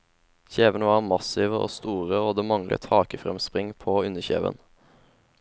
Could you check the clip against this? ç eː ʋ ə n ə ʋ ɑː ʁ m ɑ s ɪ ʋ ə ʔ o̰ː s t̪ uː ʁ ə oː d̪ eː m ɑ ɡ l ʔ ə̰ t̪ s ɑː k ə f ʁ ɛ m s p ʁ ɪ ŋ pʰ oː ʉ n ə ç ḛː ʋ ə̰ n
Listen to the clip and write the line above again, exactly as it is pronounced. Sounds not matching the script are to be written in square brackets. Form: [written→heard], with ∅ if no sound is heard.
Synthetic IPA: ç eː ʋ ə n ə ʋ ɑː ʁ m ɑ s ɪ ʋ ə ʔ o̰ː s t̪ uː ʁ ə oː d̪ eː m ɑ [ɡ→ŋ] l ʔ ə̰ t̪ [s→h] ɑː k ə f ʁ ɛ m s p ʁ ɪ ŋ pʰ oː ʉ n ə ç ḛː ʋ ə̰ n

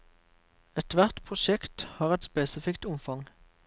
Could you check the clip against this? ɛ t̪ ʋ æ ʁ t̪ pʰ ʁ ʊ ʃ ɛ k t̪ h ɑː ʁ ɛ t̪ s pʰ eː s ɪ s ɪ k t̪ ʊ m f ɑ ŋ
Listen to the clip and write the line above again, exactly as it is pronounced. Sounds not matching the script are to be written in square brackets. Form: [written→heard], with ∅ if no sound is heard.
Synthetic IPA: ɛ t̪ ʋ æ ʁ t̪ pʰ ʁ ʊ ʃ ɛ k t̪ h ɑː ʁ ɛ t̪ s [pʰ→p] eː s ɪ [s→f] ɪ k t̪ ʊ m f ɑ ŋ

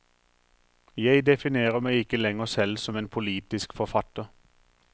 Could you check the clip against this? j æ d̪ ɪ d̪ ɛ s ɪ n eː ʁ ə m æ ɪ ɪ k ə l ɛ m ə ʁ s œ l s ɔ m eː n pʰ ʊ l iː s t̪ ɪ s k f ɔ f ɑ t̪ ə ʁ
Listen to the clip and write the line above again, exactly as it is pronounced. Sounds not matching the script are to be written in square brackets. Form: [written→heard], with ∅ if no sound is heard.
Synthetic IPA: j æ [d̪→∅] ɪ d̪ ɛ [s→f] ɪ n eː ʁ ə m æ ɪ ɪ k ə l ɛ [m→ŋ] ə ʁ s [œ→ɛ] l s ɔ m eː n pʰ ʊ l iː [s→∅] t̪ ɪ s k f ɔ f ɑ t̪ ə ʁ

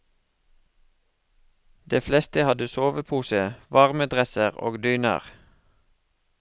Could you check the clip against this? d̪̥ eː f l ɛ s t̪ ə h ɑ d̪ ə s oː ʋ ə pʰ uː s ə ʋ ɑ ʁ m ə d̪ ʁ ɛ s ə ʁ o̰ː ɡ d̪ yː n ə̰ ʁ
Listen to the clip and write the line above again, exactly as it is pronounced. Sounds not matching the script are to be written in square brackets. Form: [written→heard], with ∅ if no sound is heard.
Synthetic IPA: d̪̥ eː f l ɛ s t̪ ə h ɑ d̪ ə s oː ʋ ə pʰ uː s ə ʋ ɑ ʁ m ə d̪ ʁ ɛ s ə ʁ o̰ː ɡ d̪ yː n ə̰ ʁ

